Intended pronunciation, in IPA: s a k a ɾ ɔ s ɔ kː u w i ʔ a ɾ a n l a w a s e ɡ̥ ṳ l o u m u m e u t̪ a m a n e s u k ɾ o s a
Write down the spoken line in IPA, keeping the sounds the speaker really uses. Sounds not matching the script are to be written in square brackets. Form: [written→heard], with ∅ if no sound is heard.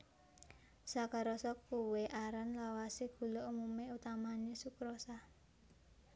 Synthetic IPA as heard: s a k a ɾ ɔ s ɔ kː u w [i→e] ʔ a ɾ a n l a w a s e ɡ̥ ṳ l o u m u m e u t̪ a m a n e s u k ɾ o s a